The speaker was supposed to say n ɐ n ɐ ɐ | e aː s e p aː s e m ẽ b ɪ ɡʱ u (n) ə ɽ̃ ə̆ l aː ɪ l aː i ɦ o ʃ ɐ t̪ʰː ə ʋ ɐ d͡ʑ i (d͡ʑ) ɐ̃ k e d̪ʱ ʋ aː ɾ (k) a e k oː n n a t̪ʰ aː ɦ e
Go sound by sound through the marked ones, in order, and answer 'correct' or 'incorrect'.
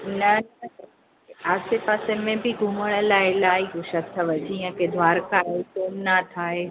incorrect: m, incorrect: none, correct

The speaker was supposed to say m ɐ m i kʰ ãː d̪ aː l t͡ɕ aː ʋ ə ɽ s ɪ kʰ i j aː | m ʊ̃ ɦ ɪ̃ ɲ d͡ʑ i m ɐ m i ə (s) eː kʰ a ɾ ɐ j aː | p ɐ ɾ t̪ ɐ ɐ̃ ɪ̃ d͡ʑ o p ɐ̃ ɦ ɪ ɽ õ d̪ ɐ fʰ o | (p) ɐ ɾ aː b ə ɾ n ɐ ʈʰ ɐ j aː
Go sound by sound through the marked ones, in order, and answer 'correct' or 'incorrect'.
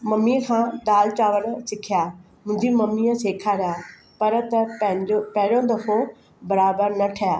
correct, incorrect: b

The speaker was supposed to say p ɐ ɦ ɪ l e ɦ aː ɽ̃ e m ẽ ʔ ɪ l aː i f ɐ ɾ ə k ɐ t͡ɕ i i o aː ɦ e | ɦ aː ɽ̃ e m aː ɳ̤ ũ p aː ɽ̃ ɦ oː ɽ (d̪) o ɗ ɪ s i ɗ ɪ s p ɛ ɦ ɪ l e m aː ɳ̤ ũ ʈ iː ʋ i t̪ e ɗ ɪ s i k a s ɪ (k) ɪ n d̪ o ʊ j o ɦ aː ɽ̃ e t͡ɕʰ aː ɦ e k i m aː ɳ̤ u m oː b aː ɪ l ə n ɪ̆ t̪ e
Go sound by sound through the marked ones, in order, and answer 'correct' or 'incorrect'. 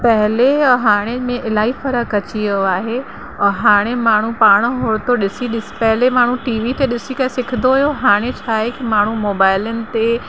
incorrect: t̪, incorrect: kʰ

